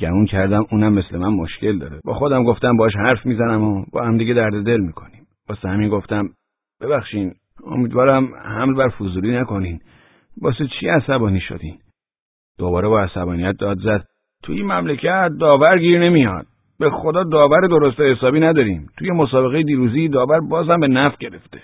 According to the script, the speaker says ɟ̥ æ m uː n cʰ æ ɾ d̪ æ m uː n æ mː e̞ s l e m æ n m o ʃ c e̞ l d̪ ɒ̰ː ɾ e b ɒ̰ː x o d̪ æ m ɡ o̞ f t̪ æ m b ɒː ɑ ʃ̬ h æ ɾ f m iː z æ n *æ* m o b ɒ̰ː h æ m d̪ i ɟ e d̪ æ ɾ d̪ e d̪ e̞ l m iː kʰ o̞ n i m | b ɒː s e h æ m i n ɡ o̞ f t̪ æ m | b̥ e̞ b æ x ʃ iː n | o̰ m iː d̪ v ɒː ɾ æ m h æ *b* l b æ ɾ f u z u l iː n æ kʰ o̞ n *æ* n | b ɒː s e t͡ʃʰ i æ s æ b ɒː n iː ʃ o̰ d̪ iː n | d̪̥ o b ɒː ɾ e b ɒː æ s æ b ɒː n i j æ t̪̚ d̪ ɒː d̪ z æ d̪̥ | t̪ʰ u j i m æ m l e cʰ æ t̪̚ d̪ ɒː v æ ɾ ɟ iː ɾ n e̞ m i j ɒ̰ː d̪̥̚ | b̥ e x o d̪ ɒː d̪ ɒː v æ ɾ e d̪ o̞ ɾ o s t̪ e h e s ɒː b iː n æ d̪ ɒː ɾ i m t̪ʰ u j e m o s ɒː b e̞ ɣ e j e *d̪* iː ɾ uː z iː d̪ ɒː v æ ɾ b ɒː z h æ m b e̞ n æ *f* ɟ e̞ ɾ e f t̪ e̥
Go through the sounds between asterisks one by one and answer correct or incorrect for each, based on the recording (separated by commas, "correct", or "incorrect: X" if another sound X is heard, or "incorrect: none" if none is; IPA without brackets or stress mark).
correct, incorrect: m, incorrect: i, correct, correct